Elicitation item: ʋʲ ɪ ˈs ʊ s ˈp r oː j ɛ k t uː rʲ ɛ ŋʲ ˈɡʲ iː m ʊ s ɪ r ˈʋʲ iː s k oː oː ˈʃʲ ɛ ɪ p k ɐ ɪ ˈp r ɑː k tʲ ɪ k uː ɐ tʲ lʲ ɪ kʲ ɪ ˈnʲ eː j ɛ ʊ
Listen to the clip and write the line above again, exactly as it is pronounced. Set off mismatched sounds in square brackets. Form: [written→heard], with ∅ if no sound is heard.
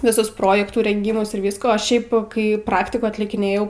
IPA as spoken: ʋʲ ɪ ˈs ʊ s ˈp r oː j ɛ k t uː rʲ ɛ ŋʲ ˈɡʲ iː m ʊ s ɪ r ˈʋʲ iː s k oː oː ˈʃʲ ɛ ɪ p k ɐ ɪ ˈp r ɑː k tʲ ɪ k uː ɐ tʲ lʲ ɪ kʲ ɪ ˈnʲ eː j ɛ ʊ